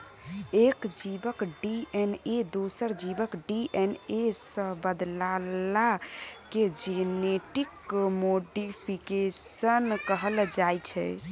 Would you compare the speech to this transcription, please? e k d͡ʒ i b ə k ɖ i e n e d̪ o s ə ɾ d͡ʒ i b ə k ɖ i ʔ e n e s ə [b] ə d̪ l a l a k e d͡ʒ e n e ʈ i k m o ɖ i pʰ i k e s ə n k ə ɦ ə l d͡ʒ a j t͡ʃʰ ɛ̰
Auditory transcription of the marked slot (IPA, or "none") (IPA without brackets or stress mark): b